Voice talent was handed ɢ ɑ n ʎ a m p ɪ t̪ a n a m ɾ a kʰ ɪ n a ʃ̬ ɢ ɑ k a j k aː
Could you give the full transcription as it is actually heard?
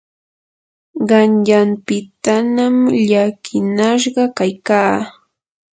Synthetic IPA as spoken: ɢ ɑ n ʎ a m p ɪ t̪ a n a m ʎ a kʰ ɪ n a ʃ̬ ɢ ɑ k a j k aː